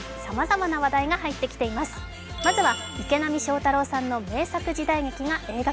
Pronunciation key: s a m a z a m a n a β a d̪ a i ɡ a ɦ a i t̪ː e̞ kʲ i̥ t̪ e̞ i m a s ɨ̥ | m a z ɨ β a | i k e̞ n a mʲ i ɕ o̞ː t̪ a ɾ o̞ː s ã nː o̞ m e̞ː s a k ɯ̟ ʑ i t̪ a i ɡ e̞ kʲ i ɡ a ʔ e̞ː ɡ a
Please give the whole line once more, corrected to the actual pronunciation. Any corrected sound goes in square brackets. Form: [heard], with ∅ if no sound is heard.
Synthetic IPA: s a m a z a m a n a β a d̪ a i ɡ a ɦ a i t̪ː e̞ kʲ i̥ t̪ e̞ i m a s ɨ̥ | m a z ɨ β a | i k e̞ n a mʲ i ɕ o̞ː t̪ a ɾ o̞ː s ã nː o̞ m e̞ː s a k ɯ̟ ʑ i [d̪] a i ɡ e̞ kʲ i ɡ a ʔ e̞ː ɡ a